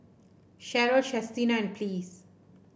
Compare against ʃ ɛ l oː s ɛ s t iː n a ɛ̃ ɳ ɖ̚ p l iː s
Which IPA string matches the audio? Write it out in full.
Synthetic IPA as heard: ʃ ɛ ɾ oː ʃ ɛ s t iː n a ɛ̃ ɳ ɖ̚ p l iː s